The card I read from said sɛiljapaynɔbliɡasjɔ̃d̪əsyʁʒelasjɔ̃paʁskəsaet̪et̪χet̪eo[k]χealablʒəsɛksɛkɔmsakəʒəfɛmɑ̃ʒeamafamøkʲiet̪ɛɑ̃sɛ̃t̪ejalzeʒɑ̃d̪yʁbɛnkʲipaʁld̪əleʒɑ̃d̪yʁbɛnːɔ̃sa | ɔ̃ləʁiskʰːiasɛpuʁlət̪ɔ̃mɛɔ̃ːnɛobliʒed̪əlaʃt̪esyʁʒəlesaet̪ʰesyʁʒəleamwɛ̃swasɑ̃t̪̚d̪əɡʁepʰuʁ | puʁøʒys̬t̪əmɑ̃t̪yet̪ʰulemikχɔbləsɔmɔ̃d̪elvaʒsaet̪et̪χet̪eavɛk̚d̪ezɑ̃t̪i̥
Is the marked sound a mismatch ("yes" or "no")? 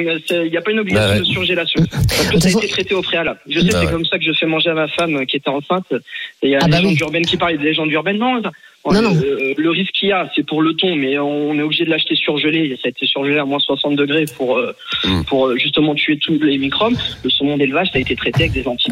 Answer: yes